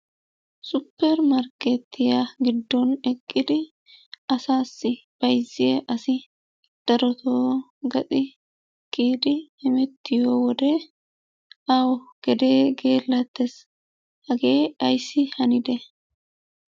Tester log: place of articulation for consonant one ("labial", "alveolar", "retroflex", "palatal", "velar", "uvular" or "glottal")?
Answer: alveolar